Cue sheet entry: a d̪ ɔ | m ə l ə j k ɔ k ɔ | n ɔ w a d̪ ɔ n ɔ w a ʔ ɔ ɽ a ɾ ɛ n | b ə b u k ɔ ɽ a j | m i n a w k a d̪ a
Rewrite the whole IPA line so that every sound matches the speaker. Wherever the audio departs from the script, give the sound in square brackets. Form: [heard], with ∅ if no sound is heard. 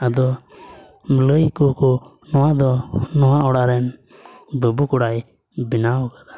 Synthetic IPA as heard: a d̪ ɔ | m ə l ə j k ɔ k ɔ | n ɔ w a d̪ ɔ n ɔ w a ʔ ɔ ɽ a ɾ ɛ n | b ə b u k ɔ ɽ a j | [b] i n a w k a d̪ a